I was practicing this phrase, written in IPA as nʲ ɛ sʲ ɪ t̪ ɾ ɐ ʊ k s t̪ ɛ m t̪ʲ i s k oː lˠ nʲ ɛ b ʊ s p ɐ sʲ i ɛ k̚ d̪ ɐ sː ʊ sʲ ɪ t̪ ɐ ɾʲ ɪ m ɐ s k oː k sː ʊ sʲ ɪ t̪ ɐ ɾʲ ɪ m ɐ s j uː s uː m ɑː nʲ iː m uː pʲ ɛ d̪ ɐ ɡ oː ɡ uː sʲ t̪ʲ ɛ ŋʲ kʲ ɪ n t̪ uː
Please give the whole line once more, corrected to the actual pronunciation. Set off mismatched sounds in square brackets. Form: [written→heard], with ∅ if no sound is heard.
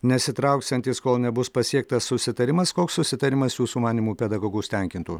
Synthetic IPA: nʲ ɛ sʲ ɪ t̪ ɾ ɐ ʊ k s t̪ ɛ [m→n] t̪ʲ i s k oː lˠ nʲ ɛ b ʊ s p ɐ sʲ i ɛ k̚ [d̪→t̪] ɐ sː ʊ sʲ ɪ t̪ ɐ ɾʲ ɪ m ɐ s k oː k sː ʊ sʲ ɪ t̪ ɐ ɾʲ ɪ m ɐ s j uː s uː m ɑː nʲ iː m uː pʲ ɛ d̪ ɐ ɡ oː ɡ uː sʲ t̪ʲ ɛ ŋʲ kʲ ɪ n t̪ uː